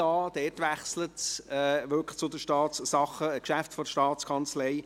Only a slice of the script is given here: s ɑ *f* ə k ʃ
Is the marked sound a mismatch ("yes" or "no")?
yes